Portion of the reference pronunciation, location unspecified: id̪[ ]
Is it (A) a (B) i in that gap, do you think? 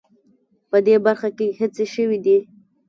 B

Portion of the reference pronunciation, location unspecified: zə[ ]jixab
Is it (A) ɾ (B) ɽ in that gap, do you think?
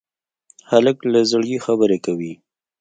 B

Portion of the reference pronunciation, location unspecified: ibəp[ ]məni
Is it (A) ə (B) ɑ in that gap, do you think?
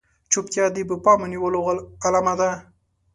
B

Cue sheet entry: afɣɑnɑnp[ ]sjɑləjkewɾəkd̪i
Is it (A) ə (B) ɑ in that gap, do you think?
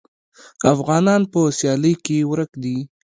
A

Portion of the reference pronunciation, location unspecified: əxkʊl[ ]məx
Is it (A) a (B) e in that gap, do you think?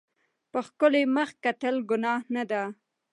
B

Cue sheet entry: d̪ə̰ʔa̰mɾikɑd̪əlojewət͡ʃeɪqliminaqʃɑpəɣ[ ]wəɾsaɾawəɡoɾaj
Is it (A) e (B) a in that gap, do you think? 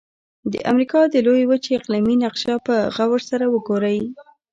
B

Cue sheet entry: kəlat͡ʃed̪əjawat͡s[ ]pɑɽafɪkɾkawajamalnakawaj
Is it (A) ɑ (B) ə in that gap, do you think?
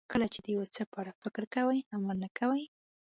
B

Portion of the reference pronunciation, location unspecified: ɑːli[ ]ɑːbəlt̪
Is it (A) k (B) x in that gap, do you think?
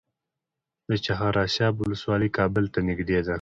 A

